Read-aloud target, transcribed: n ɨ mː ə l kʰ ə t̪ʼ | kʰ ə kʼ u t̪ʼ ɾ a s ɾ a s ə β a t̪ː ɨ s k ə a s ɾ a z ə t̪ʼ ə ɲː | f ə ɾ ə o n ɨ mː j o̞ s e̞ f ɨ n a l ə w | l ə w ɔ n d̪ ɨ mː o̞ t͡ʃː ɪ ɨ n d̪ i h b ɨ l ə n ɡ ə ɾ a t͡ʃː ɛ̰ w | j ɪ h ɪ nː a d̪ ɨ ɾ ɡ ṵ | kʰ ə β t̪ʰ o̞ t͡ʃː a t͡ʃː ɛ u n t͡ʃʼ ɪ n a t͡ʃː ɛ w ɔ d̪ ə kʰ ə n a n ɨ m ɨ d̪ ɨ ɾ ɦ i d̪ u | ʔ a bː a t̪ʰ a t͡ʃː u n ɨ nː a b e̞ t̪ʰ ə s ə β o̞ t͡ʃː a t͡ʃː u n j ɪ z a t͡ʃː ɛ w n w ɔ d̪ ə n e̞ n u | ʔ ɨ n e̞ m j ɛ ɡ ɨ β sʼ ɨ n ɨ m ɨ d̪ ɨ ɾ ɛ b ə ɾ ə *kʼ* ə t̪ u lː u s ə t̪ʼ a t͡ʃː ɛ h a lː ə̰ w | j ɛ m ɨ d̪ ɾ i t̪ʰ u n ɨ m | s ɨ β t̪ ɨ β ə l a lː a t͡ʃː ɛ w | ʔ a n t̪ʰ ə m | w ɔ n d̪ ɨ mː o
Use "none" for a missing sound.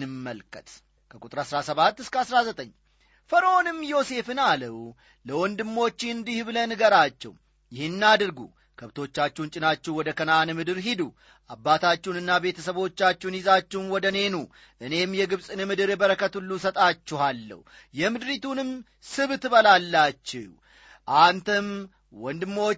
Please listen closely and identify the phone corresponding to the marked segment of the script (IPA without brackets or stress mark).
k